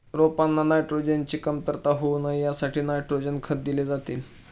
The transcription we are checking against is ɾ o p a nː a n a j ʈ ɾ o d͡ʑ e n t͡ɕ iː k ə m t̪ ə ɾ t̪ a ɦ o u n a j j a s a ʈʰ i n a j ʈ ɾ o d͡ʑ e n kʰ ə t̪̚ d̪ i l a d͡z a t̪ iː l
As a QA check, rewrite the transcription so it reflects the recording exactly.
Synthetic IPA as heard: ɾ o p a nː a n a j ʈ ɾ o d͡ʑ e n t͡ɕ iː k ə m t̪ ə ɾ t̪ a ɦ o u n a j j a s a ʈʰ iː n a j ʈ ɾ o d͡ʑ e n kʰ ə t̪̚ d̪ i l e d͡z a t̪ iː l